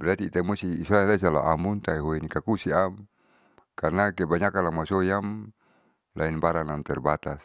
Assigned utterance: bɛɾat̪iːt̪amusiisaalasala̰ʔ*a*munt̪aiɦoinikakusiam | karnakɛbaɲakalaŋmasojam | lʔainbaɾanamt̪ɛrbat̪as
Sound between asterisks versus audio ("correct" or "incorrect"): correct